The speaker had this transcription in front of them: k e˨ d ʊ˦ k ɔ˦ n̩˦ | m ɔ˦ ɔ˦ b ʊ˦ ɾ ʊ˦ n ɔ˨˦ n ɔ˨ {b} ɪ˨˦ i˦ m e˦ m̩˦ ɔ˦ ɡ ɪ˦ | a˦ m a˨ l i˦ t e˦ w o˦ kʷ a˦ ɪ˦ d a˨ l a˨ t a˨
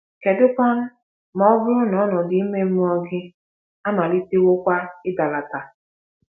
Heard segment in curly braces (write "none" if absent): d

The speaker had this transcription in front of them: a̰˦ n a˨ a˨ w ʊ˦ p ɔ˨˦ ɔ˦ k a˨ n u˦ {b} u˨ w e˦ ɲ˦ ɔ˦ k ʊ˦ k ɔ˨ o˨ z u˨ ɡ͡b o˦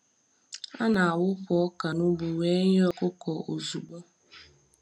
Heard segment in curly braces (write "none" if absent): b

